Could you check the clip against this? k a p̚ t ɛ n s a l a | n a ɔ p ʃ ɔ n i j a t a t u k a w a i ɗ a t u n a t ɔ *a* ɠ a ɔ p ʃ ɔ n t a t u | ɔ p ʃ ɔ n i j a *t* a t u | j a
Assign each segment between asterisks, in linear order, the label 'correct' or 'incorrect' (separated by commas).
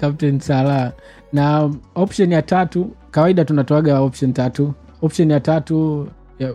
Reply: correct, correct